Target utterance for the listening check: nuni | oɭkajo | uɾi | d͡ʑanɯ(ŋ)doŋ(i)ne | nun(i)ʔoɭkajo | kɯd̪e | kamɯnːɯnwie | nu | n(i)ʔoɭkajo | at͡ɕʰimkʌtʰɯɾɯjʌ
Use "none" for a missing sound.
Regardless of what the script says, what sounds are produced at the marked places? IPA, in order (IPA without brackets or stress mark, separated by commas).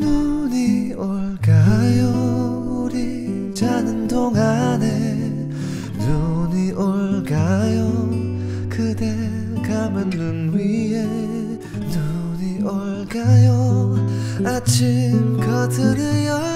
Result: n, a, i, i